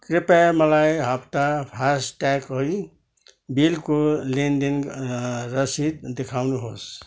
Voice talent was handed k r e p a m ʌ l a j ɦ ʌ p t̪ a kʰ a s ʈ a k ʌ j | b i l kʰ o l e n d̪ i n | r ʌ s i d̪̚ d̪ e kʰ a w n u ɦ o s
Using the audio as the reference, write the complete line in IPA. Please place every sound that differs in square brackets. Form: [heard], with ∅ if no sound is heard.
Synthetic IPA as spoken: k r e p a m ʌ l a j ɦ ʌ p t̪ a [pʰ] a s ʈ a k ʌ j | b i l [k] o l e n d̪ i n | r ʌ s i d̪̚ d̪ e kʰ a w n u ɦ o s